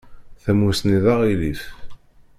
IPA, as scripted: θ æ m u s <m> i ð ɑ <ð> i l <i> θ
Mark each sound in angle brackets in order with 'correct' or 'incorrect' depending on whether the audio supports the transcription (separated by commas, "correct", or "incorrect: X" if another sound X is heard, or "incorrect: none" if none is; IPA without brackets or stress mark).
incorrect: n, incorrect: ʁ, correct